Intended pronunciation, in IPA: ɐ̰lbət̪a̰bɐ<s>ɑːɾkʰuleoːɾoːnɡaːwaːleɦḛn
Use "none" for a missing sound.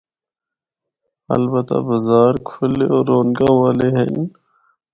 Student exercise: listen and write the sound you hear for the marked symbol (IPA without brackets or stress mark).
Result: z